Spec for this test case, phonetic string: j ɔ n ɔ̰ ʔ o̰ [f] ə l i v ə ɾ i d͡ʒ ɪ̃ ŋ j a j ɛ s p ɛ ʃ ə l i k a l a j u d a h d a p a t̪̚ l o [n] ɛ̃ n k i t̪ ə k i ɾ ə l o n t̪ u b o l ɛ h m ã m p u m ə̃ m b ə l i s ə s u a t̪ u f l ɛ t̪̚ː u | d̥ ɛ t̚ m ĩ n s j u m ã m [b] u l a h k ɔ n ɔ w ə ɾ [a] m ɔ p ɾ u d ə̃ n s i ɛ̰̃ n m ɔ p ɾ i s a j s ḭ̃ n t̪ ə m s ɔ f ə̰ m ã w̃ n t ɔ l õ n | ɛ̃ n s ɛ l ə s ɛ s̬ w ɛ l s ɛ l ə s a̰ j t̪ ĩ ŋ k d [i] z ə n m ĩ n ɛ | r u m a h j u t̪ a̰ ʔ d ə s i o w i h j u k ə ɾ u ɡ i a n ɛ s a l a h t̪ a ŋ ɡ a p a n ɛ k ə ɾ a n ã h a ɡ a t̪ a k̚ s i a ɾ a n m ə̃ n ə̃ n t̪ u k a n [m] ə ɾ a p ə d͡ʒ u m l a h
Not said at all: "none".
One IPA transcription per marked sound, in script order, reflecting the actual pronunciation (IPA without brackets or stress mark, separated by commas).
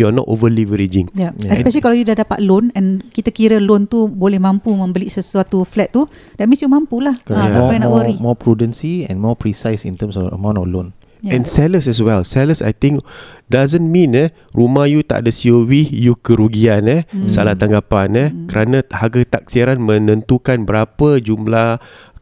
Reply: v, n, p, i, a, b